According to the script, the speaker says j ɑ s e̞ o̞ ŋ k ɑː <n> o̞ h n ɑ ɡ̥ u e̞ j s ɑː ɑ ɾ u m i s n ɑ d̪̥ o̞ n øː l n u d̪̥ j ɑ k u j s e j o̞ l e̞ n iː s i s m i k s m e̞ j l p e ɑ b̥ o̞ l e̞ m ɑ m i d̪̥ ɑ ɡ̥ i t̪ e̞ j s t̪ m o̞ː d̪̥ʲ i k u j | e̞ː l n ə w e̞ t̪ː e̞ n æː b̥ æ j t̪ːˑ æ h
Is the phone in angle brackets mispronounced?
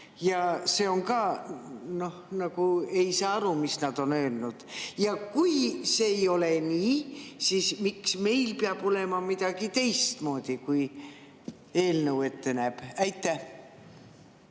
no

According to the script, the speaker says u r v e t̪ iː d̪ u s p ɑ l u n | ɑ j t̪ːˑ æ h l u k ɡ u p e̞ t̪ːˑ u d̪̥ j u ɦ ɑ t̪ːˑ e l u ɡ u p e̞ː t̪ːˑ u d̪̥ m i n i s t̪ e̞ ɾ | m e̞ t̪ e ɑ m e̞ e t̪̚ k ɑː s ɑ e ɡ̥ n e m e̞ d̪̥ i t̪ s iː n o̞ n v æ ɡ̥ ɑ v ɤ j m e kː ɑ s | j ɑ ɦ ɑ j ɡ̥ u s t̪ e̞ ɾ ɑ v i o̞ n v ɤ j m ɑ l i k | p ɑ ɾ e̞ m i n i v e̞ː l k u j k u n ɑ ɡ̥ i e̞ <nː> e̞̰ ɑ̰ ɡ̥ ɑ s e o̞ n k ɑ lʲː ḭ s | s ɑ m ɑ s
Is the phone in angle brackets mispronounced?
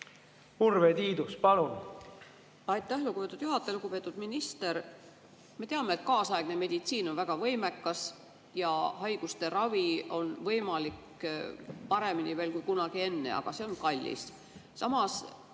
no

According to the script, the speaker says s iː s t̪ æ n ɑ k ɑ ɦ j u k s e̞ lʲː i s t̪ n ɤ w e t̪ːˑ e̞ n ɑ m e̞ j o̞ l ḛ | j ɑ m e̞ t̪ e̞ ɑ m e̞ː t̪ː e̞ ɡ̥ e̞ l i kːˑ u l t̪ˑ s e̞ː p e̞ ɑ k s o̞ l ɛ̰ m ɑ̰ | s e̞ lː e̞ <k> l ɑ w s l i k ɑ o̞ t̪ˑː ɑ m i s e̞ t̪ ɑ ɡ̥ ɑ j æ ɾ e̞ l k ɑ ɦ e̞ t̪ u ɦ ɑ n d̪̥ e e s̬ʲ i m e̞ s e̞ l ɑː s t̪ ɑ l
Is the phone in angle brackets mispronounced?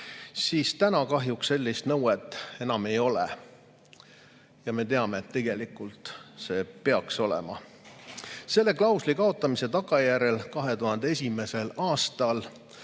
no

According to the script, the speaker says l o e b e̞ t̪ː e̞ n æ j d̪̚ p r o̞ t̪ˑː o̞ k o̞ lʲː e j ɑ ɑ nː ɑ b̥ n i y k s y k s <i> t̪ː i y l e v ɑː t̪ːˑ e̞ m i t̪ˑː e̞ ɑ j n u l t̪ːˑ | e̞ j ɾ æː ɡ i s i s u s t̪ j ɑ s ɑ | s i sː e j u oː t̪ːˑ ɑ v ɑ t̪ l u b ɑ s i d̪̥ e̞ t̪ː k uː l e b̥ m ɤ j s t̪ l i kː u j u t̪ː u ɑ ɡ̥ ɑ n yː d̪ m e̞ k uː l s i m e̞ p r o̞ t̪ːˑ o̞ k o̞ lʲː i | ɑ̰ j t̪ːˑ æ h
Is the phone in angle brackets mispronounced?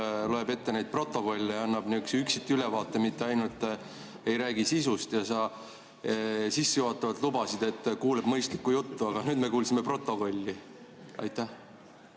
no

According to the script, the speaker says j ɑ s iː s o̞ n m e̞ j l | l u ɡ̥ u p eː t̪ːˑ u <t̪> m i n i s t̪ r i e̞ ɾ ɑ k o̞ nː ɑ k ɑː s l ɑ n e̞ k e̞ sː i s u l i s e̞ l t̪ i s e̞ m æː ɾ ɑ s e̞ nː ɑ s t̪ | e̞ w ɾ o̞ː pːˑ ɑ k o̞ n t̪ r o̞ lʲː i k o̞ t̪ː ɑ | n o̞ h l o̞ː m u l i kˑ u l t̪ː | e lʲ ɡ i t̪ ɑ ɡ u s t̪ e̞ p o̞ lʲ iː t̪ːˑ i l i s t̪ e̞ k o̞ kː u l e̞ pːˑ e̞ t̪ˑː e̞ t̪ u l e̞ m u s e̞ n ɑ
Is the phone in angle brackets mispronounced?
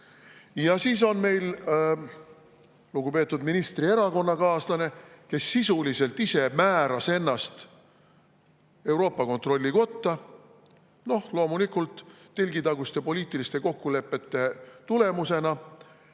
yes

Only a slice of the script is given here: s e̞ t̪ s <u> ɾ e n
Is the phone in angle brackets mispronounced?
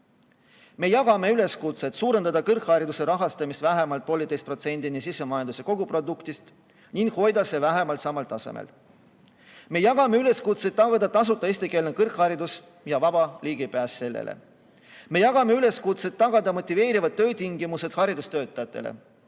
yes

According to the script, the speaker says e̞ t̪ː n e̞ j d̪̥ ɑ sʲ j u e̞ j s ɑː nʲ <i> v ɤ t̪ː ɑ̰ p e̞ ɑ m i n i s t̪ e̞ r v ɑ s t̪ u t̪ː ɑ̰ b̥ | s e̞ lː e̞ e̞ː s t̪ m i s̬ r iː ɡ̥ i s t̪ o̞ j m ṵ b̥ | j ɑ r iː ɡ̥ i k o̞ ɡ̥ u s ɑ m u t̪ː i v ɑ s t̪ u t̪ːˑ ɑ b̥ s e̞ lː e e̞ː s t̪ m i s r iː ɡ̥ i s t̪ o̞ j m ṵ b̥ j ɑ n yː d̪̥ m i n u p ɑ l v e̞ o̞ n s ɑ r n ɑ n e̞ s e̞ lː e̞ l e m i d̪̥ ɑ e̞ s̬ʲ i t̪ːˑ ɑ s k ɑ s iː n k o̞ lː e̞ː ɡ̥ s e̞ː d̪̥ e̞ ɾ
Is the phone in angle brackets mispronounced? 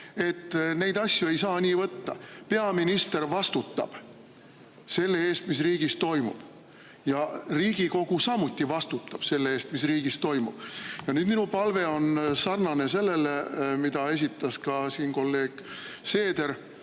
yes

